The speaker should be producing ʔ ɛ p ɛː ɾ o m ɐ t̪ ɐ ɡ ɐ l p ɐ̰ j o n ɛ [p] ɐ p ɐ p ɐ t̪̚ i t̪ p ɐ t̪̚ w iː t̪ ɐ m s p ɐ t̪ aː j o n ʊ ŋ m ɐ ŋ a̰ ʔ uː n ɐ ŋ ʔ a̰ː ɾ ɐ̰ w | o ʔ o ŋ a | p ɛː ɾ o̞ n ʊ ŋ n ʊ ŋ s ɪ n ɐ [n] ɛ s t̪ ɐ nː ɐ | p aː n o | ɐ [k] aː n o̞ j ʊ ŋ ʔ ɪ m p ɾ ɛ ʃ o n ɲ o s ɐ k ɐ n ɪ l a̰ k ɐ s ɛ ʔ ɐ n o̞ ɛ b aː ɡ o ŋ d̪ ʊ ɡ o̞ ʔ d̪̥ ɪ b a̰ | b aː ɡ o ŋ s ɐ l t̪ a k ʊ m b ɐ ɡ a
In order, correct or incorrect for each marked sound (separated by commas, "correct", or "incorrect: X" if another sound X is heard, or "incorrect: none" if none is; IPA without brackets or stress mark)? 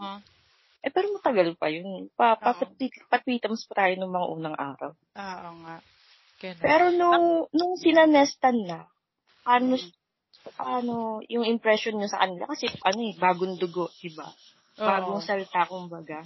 correct, correct, incorrect: p